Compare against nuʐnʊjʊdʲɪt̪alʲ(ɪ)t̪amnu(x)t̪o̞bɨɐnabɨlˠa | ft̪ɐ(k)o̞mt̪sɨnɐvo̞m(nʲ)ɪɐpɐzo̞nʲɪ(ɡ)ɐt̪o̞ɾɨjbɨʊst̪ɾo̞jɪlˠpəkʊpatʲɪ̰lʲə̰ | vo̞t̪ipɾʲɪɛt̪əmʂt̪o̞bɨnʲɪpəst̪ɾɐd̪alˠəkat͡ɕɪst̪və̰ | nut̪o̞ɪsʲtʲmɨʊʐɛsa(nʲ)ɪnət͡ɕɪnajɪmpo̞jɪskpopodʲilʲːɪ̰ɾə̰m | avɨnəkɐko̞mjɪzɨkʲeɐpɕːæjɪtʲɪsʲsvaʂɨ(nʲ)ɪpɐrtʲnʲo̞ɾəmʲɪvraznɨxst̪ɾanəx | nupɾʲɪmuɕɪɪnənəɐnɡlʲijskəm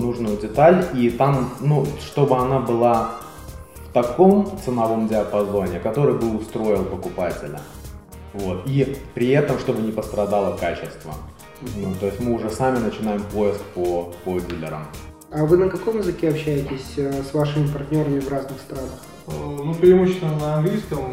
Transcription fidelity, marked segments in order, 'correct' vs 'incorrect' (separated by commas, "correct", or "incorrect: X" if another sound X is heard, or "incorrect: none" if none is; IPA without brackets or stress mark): incorrect: i, incorrect: ʂ, correct, incorrect: dʲ, incorrect: k, incorrect: mʲ, incorrect: mʲ